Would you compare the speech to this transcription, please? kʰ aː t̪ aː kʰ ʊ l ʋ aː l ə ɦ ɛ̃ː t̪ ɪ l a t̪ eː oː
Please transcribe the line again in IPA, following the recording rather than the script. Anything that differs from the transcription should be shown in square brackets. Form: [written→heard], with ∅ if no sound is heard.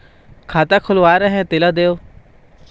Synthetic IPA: kʰ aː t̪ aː kʰ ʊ l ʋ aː [l→ɾ] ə ɦ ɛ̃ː t̪ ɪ l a [t̪→d̪] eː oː